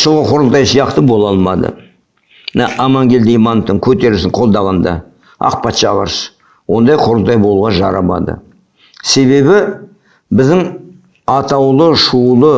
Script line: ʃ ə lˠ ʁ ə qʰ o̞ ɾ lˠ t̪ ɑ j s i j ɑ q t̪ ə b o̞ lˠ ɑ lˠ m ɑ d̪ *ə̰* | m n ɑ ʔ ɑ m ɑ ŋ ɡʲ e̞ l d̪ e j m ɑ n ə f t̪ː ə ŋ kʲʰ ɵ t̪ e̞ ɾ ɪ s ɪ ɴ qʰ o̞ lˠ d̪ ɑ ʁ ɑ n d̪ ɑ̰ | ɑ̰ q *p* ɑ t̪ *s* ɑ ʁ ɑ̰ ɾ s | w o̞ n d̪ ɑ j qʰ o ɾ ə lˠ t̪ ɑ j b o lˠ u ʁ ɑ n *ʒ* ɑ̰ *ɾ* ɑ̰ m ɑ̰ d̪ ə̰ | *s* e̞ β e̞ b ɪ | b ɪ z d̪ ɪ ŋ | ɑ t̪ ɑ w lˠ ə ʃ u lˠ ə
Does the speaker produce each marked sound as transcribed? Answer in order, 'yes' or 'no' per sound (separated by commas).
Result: yes, yes, no, yes, yes, yes